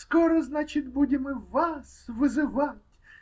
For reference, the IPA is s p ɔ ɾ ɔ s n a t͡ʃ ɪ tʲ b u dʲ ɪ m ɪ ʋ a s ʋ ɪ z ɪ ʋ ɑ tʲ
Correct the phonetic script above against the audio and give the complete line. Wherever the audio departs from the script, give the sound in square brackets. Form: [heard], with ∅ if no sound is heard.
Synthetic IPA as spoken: s [k] ɔ ɾ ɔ [z] n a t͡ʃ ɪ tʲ b u dʲ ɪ m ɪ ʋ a s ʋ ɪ z ɪ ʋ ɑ tʲ